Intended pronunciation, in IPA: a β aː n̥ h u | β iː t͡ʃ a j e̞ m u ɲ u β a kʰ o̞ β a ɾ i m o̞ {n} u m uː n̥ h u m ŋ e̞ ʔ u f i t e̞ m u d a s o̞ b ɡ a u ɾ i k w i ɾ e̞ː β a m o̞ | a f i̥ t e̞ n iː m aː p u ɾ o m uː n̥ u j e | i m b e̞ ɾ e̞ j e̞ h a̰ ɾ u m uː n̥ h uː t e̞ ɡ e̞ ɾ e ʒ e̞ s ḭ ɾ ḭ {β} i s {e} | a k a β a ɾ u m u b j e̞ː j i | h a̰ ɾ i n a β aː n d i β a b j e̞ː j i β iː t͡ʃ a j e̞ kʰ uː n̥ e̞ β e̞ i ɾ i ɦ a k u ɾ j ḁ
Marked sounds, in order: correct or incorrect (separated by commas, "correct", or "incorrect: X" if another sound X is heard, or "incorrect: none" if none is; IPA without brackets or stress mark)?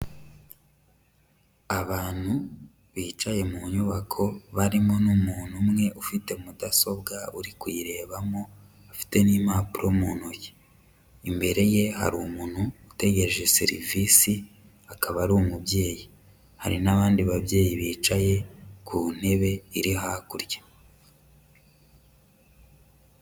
correct, incorrect: v, incorrect: i